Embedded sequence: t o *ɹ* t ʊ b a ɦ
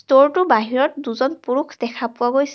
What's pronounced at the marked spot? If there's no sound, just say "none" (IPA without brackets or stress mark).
ɹ